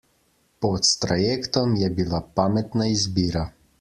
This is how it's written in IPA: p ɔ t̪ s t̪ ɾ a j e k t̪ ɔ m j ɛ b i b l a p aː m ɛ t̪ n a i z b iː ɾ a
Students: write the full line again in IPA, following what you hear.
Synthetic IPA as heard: p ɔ t̪ s t̪ ɾ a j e k t̪ ɔ m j ɛ b i l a p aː m ɛ t̪ n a i z b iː ɾ a